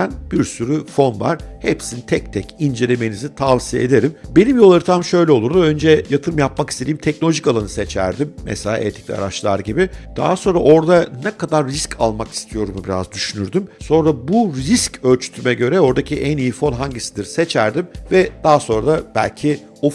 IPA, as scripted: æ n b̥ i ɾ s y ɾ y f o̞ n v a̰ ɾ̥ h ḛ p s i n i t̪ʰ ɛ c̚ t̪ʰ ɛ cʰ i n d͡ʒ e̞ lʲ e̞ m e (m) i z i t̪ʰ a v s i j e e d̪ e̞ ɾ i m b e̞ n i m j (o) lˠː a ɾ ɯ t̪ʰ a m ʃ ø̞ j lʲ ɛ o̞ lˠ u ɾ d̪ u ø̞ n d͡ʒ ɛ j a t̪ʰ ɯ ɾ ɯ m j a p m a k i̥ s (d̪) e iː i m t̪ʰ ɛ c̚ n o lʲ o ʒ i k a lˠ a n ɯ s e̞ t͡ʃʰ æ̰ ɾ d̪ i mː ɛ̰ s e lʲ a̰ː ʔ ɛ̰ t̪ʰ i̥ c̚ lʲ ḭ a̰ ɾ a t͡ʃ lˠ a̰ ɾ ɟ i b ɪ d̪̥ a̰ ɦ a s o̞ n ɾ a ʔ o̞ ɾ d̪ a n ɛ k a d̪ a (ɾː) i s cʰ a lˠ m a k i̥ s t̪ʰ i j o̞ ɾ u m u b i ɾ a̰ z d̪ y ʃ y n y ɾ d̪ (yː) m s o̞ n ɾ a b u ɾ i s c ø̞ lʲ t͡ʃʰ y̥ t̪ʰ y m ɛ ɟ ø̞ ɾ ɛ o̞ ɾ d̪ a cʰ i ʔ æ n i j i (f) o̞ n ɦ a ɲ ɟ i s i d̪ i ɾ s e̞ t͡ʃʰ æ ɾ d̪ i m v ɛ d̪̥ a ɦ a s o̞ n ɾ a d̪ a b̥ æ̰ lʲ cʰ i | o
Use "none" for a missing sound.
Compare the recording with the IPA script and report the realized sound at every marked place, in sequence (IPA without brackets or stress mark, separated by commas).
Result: n, o, t̪, ɾː, y, f